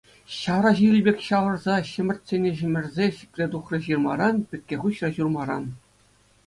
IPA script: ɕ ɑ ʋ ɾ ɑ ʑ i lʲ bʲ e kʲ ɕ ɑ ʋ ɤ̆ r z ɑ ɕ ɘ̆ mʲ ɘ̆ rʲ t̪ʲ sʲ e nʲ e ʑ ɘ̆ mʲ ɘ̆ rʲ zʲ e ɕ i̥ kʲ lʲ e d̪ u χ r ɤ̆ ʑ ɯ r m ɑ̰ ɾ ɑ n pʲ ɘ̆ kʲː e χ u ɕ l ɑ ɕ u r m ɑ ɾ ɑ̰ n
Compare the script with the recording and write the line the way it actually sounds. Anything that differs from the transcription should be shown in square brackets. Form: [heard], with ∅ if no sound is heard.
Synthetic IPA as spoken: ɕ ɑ ʋ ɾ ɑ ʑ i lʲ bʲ e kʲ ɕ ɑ ʋ ɤ̆ r z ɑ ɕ ɘ̆ mʲ ɘ̆ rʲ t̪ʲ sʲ e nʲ e ʑ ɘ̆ mʲ ɘ̆ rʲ zʲ e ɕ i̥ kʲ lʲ e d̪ u χ r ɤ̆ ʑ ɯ r m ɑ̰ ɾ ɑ n pʲ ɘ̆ kʲː e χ u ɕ [r] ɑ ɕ u r m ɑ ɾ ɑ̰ n